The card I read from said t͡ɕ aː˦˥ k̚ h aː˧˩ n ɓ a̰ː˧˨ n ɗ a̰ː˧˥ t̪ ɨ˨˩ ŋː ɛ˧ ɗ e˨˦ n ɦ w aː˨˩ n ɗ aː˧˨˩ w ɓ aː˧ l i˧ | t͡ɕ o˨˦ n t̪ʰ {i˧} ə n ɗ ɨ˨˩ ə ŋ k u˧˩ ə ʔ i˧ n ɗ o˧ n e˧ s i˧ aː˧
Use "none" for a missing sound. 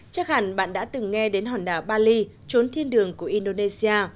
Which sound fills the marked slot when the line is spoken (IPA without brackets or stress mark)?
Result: i˧